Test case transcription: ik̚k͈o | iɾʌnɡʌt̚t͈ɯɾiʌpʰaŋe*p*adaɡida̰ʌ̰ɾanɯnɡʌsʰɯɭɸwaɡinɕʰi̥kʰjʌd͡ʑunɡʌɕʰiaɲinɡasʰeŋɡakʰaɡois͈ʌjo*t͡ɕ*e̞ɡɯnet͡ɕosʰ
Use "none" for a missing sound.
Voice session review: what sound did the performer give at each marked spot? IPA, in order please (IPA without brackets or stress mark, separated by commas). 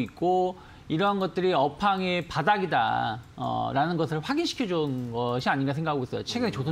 p, t͡ɕʰ